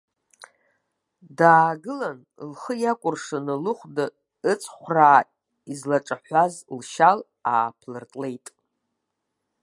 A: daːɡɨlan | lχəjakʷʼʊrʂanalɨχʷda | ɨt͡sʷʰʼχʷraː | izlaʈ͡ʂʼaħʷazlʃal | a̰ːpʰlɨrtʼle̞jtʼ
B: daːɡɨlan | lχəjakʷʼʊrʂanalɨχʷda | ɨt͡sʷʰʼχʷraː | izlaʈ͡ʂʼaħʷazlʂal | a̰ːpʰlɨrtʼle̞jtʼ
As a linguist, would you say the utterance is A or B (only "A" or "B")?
A